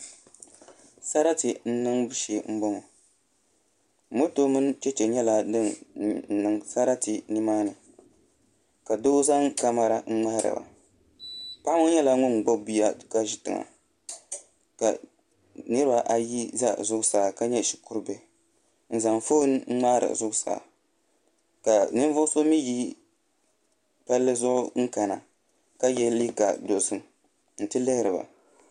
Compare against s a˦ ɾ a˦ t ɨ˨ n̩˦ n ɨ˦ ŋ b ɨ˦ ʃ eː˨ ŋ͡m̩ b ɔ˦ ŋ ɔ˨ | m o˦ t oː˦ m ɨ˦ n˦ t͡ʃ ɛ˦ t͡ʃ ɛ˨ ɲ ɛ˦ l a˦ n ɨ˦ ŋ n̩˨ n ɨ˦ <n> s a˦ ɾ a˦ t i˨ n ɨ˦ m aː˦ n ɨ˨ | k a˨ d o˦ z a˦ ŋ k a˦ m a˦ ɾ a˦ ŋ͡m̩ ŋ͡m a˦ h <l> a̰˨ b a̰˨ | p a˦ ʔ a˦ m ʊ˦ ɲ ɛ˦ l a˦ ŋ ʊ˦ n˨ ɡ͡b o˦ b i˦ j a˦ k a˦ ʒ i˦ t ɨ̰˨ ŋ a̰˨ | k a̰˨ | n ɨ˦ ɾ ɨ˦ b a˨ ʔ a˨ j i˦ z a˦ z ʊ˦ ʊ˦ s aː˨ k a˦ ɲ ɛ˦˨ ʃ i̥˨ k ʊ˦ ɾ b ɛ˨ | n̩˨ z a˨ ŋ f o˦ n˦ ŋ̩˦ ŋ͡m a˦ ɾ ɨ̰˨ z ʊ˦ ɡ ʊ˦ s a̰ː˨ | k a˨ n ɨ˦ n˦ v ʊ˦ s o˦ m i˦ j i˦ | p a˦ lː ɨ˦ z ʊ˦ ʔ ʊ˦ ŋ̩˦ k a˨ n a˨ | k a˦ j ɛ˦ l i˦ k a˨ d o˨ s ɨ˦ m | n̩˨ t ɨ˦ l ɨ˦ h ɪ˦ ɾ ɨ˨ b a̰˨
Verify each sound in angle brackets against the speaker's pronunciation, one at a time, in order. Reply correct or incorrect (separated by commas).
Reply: incorrect, incorrect